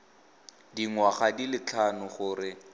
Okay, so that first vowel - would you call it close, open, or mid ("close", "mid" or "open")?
close